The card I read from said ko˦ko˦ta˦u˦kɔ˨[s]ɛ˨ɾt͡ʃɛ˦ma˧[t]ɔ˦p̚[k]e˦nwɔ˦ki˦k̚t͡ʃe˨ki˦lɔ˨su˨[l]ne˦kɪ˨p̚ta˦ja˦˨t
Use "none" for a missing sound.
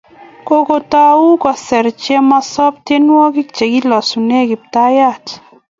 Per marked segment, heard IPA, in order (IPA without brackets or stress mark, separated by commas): s, s, t, none